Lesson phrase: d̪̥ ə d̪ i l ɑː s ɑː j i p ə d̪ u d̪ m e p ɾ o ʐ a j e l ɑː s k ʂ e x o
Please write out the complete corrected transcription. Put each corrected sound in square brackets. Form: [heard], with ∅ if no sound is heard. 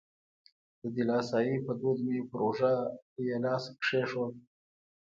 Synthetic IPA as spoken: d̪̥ ə d̪ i l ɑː s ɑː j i p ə d̪ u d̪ m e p ɾ o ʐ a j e l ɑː s k ʂ e [ʂ] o